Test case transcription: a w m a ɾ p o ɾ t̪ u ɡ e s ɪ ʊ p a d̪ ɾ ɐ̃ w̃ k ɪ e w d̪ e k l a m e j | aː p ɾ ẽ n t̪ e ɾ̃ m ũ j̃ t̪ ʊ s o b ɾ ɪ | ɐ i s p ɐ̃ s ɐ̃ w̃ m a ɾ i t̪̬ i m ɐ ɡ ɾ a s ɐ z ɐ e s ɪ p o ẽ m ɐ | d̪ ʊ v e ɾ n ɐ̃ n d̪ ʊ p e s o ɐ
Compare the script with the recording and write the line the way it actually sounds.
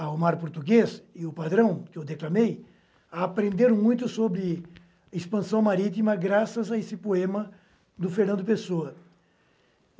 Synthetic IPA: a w m a ɾ p o ɾ t̪ u ɡ e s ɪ ʊ p a d̪ ɾ ɐ̃ w̃ k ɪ e w d̪ e k l a m e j | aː p ɾ ẽ n d̪ e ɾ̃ m ũ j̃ t̪ ʊ s o b ɾ ɪ | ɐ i s p ɐ̃ s ɐ̃ w̃ m a ɾ i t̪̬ i m ɐ ɡ ɾ a s ɐ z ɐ e s ɪ p o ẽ m ɐ | d̪ ʊ f e ɾ n ɐ̃ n d̪ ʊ p e s o ɐ